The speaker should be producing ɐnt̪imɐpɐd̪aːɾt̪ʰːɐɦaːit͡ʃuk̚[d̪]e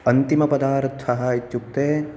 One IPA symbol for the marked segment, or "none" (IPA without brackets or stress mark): t̪